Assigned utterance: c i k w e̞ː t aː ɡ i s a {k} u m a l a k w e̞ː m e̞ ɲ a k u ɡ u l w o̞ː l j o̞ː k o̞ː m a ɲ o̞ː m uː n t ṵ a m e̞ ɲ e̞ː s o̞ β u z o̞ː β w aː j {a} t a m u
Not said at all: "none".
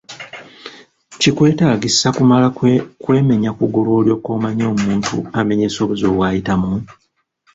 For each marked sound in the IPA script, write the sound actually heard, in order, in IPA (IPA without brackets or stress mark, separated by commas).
k, i